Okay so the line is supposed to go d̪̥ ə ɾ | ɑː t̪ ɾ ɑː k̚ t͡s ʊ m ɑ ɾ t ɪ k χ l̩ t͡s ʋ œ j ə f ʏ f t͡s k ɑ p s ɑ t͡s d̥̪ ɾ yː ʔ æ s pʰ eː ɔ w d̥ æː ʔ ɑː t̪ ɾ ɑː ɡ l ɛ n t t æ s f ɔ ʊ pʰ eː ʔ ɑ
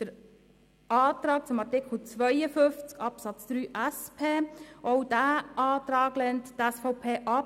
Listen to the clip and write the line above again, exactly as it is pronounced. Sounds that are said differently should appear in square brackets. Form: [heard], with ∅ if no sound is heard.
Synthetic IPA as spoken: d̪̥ ə ɾ | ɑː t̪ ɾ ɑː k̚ t͡s ʊ m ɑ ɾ t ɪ k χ l̩ t͡s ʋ œ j ə f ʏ f t͡s k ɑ p s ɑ t͡s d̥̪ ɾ yː ʔ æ s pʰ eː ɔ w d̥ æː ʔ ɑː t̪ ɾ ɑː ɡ l ɛ n t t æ s f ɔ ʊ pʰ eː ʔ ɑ